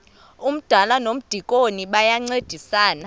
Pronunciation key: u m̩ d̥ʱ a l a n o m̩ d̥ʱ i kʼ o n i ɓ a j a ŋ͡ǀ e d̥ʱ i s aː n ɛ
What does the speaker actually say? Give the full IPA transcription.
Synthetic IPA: u m̩ d̥ʱ a l a n o m̩ d̥ʱ i kʼ o n i ɓ a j a ŋ͡ǀ e d̥ʱ i s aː n a

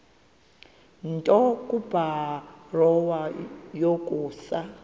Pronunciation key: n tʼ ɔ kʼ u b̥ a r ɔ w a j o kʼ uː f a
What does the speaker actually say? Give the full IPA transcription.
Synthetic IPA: n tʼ ɔ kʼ u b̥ a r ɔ w a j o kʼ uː s a

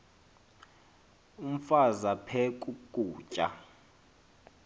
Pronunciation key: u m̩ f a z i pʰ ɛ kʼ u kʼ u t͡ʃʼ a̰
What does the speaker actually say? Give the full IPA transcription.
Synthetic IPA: u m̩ f a z a pʰ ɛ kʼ u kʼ uː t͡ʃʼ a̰

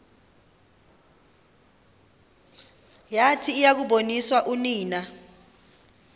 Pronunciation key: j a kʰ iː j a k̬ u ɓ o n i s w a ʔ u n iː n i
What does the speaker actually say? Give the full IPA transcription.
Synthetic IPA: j a tʰ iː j a k̬ u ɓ o n i s w a ʔ u n iː n a

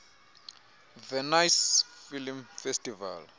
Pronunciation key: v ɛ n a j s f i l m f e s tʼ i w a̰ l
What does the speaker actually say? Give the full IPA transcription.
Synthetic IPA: v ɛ n a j s f i l m f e s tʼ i v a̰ l

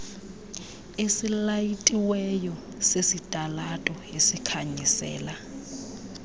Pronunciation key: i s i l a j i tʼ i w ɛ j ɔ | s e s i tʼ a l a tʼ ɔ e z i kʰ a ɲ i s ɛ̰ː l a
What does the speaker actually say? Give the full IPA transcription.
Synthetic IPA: e s i l a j i tʼ i w ɛ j ɔ | s e s i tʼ a l a tʼ ɔ e s i kʰ a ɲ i s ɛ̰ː l a

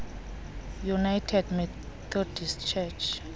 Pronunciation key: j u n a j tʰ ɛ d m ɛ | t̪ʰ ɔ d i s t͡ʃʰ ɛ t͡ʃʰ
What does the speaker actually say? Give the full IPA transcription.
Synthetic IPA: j u n a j tʰ ɛ d m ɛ | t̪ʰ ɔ d i s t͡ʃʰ ɛ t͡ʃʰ

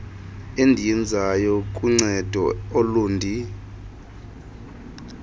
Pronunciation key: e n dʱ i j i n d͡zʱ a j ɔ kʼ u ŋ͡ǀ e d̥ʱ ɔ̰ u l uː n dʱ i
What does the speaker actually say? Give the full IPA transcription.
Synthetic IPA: e n dʱ i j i n d͡zʱ a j ɔ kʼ u ŋ͡ǀ ɛ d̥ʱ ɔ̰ o l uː n dʱ i

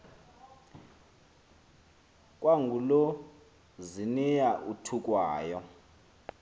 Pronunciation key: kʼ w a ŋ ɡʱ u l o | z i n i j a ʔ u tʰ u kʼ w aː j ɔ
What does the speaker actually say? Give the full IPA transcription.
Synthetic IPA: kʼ w a ŋ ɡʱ u l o | z i n i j a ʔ u tʰ u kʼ w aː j ɔ

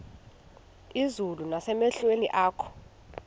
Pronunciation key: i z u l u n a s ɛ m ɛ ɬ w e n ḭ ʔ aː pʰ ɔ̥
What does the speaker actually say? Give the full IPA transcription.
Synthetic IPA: i z u l u n a s ɛ m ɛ ɬ w e n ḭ ʔ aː kʰ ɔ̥

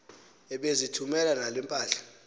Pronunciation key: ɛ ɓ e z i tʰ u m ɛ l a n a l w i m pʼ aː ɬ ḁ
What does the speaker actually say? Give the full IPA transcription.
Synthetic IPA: ɛ ɓ e z i tʰ u m ɛ l a n a l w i m pʼ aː ɬ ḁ

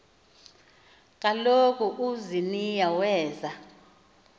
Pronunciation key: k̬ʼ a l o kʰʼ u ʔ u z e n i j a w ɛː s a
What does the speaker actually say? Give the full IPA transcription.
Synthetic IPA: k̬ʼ a l o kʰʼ u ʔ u z i n i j a w ɛː z a

